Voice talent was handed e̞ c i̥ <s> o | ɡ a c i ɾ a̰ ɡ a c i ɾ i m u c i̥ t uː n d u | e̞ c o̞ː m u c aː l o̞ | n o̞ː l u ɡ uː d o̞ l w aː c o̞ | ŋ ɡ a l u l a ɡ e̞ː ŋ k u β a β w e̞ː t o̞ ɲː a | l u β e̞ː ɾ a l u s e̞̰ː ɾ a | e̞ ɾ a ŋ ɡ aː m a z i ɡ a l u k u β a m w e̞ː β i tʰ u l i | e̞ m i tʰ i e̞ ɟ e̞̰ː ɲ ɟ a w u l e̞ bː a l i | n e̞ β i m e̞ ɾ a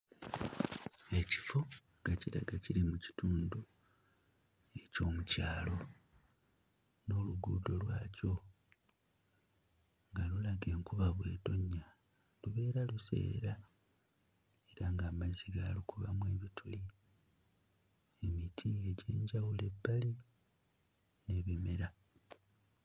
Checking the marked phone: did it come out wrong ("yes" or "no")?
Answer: yes